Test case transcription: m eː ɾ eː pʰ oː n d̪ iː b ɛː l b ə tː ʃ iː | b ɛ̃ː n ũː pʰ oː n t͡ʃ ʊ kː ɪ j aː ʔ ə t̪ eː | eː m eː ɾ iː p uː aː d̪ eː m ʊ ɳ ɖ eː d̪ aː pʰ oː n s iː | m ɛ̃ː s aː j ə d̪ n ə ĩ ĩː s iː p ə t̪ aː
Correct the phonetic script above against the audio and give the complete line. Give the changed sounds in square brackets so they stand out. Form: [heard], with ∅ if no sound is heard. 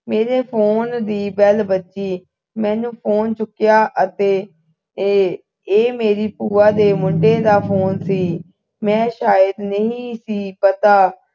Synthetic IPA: m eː ɾ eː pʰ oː n d̪ iː b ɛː l b ə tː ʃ iː | [m] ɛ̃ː n ũː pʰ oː n t͡ʃ ʊ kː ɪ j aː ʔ ə t̪ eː | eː m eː ɾ iː p uː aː d̪ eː m ʊ ɳ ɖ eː d̪ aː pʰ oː n s iː | m ɛ̃ː [ʃ] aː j ə d̪ n ə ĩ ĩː s iː p ə t̪ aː